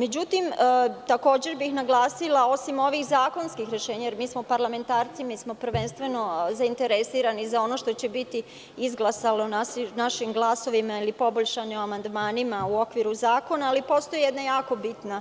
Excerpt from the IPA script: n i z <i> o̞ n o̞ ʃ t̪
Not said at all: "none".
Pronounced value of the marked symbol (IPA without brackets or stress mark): a